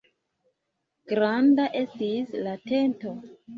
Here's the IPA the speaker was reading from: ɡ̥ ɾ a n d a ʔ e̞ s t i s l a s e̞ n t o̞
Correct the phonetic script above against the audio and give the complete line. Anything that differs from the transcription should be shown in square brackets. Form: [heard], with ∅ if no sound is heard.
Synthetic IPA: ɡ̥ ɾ a n d a ʔ e̞ s t i s l a [t] e̞ n t o̞